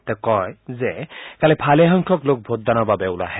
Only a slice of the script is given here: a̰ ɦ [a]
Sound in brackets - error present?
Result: yes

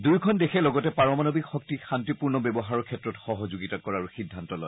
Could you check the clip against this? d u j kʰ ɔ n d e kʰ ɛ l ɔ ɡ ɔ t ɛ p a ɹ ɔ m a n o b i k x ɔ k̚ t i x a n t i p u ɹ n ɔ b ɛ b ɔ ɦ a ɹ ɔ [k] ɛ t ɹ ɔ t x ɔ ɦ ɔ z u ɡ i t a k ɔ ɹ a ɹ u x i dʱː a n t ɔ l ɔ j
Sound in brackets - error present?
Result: yes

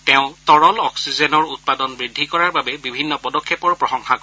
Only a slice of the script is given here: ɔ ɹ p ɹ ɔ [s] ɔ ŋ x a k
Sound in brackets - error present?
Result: yes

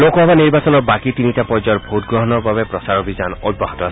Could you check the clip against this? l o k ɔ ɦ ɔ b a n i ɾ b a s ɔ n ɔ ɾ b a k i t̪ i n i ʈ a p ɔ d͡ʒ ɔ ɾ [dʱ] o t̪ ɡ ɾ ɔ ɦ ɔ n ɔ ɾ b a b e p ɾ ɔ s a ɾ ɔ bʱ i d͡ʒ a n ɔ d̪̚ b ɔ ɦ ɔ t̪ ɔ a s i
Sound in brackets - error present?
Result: yes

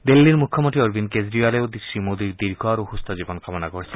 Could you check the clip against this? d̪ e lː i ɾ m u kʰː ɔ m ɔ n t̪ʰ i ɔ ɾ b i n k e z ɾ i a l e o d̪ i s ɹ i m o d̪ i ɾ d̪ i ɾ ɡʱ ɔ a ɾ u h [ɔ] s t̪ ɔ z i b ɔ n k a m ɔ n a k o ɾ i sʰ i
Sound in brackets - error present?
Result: yes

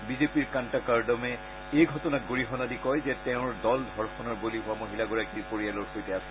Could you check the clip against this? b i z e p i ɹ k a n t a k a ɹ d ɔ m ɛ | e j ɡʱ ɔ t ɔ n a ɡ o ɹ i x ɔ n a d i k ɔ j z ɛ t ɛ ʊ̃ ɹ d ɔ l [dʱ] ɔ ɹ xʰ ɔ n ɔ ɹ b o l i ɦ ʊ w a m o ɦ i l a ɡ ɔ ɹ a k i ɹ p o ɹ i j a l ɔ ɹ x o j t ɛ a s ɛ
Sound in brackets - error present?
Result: no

